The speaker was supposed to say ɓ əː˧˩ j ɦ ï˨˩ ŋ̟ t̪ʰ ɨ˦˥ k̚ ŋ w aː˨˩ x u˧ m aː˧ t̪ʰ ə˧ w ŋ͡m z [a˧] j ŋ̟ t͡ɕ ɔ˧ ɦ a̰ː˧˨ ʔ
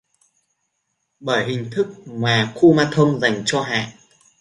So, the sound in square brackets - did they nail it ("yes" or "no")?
no